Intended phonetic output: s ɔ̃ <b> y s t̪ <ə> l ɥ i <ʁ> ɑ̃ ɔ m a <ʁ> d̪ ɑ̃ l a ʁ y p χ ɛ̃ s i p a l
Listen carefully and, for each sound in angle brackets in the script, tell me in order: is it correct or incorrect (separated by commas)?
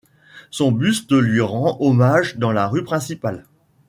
correct, correct, correct, incorrect